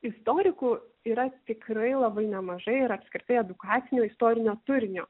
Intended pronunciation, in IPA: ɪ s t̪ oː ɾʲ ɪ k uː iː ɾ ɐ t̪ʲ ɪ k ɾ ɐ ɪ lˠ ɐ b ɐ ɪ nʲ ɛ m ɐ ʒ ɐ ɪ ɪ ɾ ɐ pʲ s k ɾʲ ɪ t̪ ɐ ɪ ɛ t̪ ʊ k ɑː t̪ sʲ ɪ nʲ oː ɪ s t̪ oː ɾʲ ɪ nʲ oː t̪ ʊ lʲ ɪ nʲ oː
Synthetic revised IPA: ɪ s t̪ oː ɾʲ ɪ k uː iː ɾ ɐ t̪ʲ ɪ k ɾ ɐ ɪ lˠ ɐ b ɐ ɪ nʲ ɛ m ɐ ʒ ɐ ɪ ɪ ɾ ɐ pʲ s k ɾʲ ɪ t̪ ɐ ɪ ɛ d̪ ʊ k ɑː t̪ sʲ ɪ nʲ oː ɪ s t̪ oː ɾʲ ɪ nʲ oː t̪ ʊ ɾʲ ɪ nʲ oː